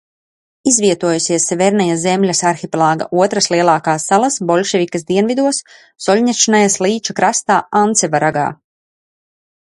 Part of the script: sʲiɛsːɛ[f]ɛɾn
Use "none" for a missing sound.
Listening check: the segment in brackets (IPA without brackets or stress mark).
v